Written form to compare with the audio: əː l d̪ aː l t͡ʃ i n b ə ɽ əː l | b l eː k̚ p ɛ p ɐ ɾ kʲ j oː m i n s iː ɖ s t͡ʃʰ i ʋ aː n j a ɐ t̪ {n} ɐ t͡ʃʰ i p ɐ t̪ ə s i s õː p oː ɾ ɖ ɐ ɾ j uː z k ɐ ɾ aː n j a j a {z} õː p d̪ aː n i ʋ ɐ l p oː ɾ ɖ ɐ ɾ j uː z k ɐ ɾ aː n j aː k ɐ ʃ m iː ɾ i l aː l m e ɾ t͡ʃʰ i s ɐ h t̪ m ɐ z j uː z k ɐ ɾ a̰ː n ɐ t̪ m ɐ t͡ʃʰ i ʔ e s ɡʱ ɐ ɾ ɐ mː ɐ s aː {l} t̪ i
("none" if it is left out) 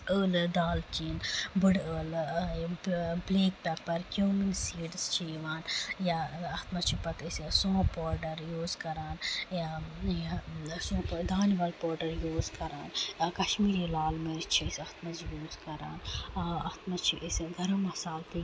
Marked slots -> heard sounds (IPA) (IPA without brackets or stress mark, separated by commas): m, s, l